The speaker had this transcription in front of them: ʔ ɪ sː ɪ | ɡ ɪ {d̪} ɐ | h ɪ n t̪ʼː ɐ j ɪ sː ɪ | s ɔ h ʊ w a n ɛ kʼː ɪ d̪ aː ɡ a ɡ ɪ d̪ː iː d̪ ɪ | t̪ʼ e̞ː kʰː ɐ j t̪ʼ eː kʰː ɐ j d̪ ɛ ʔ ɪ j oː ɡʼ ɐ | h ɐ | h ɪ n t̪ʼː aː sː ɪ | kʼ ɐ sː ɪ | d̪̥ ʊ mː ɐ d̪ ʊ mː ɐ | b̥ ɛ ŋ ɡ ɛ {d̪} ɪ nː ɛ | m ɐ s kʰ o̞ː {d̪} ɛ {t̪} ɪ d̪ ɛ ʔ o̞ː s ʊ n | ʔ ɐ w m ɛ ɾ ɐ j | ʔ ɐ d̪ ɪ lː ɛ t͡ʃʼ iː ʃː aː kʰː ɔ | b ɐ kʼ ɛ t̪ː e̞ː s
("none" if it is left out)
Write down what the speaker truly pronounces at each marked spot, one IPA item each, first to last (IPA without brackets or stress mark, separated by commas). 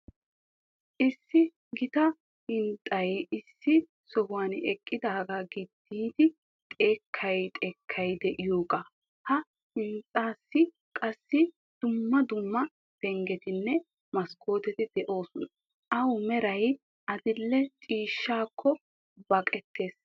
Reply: t̪, t̪, t̪, t̪